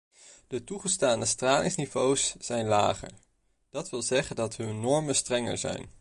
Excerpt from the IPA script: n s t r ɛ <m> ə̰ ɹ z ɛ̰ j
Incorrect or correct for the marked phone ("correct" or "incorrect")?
incorrect